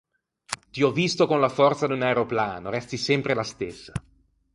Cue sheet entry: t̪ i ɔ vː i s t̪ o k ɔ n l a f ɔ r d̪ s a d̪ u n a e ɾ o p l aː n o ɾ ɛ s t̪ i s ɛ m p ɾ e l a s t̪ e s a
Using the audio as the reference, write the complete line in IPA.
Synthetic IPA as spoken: t̪ i ɔ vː i s t̪ o k o n l a f ɔ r t̪ s a d̪ u n a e ɾ o p l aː n o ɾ ɛ s t̪ i s ɛ m p ɾ e l a s t̪ e sː a